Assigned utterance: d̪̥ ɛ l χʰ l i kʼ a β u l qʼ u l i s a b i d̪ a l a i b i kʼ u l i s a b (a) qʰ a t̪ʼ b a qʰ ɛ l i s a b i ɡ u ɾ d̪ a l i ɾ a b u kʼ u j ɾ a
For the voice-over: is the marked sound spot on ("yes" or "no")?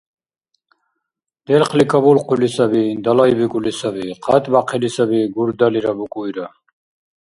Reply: no